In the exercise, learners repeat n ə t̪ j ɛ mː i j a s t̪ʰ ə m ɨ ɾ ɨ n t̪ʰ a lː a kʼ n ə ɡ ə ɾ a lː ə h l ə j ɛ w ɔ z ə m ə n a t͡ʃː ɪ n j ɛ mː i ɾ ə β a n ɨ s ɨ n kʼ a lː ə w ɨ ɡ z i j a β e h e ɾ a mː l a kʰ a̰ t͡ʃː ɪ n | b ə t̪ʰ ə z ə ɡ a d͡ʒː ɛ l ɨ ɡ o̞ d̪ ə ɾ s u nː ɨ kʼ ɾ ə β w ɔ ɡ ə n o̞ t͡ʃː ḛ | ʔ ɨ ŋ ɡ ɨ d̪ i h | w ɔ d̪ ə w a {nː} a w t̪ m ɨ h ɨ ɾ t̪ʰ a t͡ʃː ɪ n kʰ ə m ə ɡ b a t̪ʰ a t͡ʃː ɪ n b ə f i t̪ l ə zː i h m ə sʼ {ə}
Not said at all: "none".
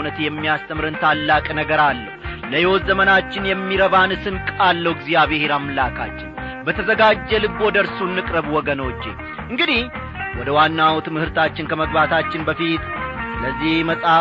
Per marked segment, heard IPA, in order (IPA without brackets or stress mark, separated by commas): nː, a